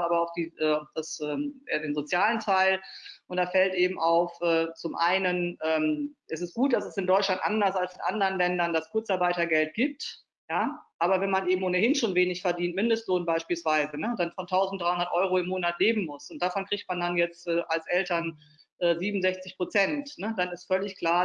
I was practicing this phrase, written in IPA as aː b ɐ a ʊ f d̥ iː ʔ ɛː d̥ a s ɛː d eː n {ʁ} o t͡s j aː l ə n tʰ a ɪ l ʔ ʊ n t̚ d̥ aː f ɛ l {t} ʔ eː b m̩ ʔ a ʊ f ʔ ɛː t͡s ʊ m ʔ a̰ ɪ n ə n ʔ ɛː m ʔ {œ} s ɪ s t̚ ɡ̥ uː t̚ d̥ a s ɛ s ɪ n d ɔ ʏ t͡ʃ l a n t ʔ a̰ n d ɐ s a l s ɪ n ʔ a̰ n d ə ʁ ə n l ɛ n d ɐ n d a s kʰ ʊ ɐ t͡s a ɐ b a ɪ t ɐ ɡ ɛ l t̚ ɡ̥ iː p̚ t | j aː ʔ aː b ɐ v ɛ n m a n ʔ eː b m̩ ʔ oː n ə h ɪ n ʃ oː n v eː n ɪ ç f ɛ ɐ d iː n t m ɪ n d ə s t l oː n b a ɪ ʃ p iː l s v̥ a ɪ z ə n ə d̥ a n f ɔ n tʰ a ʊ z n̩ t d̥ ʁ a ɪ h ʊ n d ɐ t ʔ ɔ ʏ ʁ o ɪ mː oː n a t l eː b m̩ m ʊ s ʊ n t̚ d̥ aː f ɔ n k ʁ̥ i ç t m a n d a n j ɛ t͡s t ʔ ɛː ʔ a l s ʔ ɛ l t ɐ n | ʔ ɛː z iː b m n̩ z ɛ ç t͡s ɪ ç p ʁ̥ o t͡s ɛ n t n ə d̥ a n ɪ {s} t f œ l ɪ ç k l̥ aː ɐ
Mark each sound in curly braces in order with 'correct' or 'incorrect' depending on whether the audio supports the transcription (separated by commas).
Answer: incorrect, correct, incorrect, correct